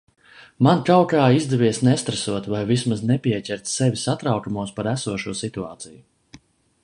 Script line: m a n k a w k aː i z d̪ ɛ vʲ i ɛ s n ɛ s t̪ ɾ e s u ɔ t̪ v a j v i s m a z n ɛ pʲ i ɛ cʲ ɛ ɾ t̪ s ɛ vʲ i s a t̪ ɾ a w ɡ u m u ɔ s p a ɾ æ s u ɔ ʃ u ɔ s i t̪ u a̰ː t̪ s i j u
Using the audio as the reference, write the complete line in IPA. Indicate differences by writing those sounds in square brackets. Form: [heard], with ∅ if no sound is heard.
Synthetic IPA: m a n k a w k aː i z d̪ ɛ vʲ i ɛ s n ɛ s t̪ ɾ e s u ɔ t̪ v a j v i s m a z n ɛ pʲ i ɛ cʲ ɛ ɾ t̪ s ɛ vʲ i s a t̪ ɾ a w [k] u m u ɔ s p a ɾ æ s u ɔ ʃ u ɔ s i t̪ u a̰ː t̪ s i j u

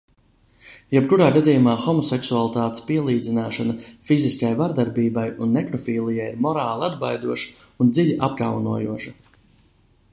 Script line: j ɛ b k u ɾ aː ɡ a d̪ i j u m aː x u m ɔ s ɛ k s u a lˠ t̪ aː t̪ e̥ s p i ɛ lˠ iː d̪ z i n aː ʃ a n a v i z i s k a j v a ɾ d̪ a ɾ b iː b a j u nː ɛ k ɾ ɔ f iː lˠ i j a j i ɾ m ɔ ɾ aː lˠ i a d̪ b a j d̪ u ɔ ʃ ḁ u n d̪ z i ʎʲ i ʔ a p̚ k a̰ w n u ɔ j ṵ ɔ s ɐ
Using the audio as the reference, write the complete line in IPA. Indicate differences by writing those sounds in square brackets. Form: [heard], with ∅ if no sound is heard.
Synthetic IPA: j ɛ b k u ɾ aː ɡ a d̪ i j u m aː x [ɔ] m ɔ s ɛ k s u a lˠ t̪ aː t̪ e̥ s p i ɛ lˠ iː d̪ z i n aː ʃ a n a [f] i z i s k a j v a ɾ d̪ a ɾ b iː b a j u nː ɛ k ɾ ɔ f iː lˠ i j a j i ɾ m ɔ ɾ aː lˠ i a d̪ b a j d̪ u ɔ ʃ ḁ u n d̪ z i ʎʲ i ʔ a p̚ k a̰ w n u ɔ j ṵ ɔ [ʃ] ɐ

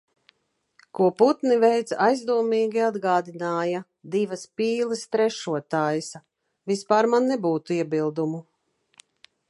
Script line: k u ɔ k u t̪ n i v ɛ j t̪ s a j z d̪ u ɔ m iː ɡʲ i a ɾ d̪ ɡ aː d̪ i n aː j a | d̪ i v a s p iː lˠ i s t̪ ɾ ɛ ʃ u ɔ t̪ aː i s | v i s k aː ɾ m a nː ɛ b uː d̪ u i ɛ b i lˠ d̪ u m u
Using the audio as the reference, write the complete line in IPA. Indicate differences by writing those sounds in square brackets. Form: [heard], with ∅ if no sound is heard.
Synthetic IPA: k u ɔ [p] u t̪ n i v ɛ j t̪ s a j z d̪ u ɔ m iː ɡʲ i a [∅] d̪ ɡ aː d̪ i n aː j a | d̪ i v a s p iː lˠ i s t̪ ɾ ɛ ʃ u ɔ t̪ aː [j] s | v i s [p] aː ɾ m a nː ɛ b uː [t̪] u i ɛ b i lˠ d̪ u m u

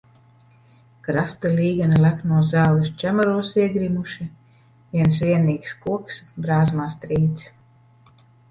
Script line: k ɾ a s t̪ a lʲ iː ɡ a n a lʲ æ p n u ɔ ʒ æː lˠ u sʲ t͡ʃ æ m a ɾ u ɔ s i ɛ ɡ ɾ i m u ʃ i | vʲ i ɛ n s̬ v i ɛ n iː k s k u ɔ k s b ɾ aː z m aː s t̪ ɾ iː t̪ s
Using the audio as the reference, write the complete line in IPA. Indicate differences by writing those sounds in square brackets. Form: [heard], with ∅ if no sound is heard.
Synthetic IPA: k ɾ a s t̪ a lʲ iː ɡ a n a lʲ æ [k] n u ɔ [z] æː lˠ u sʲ t͡ʃ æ m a ɾ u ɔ s i ɛ ɡ ɾ i m u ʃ i | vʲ i ɛ n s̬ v i ɛ n iː k s k u ɔ k s b ɾ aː z m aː s t̪ ɾ iː t̪ s

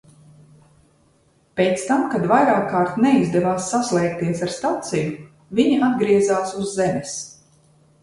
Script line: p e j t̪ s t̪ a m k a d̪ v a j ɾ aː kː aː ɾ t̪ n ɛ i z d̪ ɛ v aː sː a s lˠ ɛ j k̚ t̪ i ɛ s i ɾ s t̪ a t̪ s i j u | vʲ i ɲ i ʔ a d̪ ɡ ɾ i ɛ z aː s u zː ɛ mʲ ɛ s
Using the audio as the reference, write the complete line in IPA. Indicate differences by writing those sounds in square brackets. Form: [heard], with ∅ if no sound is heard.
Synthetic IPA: p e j t̪ s t̪ a m k a d̪ v a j ɾ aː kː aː ɾ t̪ n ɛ i z d̪ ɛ v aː sː a s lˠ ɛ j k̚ t̪ i ɛ s [a] ɾ s t̪ a t̪ s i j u | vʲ i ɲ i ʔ a d̪ ɡ ɾ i ɛ z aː s u zː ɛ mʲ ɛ s

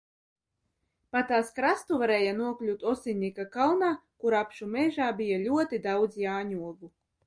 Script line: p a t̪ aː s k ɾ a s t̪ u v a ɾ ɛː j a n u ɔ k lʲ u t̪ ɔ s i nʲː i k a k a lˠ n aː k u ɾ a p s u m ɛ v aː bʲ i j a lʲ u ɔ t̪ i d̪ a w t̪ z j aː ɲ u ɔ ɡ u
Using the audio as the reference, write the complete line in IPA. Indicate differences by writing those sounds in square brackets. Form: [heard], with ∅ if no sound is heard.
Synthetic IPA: p a t̪ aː s k ɾ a s t̪ u v a ɾ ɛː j a n u ɔ k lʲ u t̪ ɔ s i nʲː i k a k a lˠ n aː k u ɾ a p [ʃ] u m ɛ [ʒ] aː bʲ i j a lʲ u ɔ t̪ i d̪ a w [d̪] z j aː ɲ u ɔ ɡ u

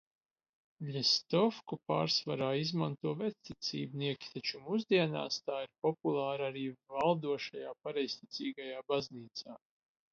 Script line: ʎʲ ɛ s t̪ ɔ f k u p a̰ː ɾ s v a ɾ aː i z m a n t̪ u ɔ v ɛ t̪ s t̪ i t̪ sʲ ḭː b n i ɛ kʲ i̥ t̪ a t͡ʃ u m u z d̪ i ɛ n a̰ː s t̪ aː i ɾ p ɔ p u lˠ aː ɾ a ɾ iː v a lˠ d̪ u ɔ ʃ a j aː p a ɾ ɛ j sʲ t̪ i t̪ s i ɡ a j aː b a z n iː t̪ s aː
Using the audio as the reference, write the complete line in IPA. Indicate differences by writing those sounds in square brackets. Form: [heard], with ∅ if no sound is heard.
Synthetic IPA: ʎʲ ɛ s t̪ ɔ f k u p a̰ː ɾ s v a ɾ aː i z m a n t̪ u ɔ v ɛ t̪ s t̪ i t̪ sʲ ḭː b n i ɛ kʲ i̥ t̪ a t͡ʃ u m u z d̪ i ɛ n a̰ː s t̪ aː i ɾ p ɔ p u lˠ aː ɾ a ɾ iː v a lˠ d̪ u ɔ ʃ a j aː p a ɾ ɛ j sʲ t̪ i t̪ s [iː] ɡ a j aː b a z n iː t̪ s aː

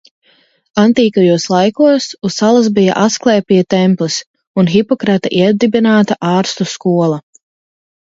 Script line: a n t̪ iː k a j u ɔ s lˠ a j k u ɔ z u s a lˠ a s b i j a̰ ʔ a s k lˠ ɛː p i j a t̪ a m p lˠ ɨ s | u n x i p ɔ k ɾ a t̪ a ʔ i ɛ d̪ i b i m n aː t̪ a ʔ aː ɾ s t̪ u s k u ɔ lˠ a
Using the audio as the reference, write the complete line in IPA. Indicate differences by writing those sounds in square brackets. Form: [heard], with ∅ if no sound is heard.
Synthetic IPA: a n t̪ iː k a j u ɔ s lˠ a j k u ɔ [s] u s a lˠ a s b i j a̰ ʔ a s k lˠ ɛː p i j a t̪ [ɛ] m p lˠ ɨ s | u n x i p ɔ k ɾ a t̪ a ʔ i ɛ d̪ i b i [∅] n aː t̪ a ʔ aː ɾ s t̪ u s k u ɔ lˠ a

